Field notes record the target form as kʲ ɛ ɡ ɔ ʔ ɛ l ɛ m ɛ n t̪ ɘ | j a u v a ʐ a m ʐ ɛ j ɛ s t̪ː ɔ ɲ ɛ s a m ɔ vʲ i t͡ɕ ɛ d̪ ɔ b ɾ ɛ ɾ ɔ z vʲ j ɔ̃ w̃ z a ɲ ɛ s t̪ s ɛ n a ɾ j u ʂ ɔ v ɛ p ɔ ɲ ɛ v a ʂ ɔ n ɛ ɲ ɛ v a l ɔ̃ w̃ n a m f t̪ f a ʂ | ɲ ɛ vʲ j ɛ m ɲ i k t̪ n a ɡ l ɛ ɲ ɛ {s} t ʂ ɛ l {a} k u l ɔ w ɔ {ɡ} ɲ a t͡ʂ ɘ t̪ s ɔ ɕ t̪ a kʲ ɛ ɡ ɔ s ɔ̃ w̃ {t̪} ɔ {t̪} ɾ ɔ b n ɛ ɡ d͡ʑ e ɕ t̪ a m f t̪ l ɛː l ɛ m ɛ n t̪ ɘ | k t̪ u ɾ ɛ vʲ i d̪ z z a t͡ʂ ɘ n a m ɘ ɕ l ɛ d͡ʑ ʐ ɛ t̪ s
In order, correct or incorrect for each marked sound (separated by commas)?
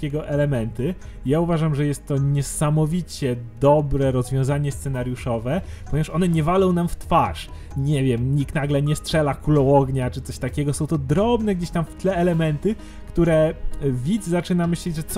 correct, correct, correct, correct, incorrect